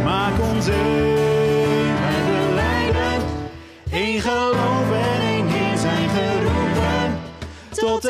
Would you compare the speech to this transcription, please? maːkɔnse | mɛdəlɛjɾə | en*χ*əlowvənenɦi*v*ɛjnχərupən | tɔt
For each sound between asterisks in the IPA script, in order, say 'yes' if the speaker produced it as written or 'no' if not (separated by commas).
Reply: yes, no